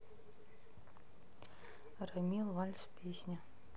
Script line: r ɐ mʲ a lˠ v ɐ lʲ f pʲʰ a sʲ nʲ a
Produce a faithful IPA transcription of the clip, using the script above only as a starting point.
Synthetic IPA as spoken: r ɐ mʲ i lˠ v a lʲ s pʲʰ e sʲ nʲ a